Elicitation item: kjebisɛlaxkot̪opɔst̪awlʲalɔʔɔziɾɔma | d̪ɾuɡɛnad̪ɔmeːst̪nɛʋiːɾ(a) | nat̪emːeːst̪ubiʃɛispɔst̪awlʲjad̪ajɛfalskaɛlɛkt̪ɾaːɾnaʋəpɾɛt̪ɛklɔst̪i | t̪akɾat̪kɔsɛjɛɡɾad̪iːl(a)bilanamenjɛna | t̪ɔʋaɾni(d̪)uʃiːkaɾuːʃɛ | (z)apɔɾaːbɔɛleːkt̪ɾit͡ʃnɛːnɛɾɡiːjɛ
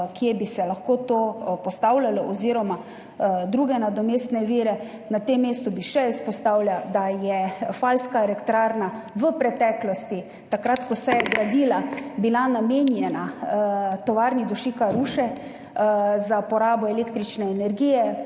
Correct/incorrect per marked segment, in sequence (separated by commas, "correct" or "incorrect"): incorrect, correct, correct, correct